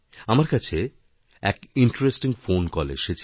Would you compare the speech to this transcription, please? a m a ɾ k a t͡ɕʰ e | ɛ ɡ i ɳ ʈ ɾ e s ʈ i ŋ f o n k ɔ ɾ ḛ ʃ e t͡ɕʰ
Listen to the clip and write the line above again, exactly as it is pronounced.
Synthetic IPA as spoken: a m a ɾ k a t͡ɕʰ e | ɛ k i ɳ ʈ ɾ e s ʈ i ŋ f o n k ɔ l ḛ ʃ e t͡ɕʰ